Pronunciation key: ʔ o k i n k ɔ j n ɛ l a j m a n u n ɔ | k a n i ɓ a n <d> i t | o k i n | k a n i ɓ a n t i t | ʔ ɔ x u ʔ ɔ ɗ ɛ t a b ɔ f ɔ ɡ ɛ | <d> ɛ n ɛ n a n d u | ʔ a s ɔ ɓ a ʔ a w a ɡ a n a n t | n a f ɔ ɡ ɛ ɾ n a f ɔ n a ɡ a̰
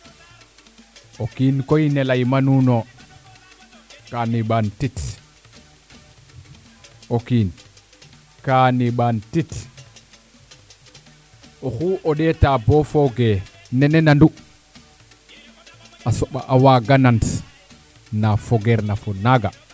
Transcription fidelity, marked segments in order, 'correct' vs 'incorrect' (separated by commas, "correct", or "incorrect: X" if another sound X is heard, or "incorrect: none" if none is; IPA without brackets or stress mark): incorrect: t, incorrect: n